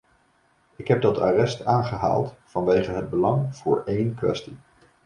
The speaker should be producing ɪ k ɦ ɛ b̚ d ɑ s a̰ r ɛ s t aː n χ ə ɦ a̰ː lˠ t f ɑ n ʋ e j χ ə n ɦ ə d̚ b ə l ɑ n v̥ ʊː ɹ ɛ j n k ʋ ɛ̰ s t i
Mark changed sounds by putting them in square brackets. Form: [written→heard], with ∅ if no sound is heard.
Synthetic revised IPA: ɪ k ɦ ɛ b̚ d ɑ [s→t] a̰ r ɛ s t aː n χ ə ɦ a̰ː lˠ t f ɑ n ʋ e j χ ə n ɦ ə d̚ b ə l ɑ [n→ŋ] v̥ ʊː ɹ [ɛ→e] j n k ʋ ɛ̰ s t i